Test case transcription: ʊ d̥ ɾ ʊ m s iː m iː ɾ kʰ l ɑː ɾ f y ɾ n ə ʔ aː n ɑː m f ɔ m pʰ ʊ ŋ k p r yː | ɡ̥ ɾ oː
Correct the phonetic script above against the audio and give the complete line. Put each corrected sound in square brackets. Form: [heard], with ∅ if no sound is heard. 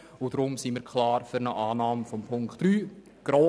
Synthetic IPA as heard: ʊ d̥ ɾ ʊ m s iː m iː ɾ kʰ l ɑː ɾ f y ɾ n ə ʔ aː n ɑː m f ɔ m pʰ ʊ ŋ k [t] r yː | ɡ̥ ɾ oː